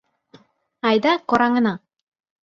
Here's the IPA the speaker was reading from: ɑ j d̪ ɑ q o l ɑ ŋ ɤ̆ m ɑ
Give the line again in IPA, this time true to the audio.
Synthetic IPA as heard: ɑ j d̪ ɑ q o ɾ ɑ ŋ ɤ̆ n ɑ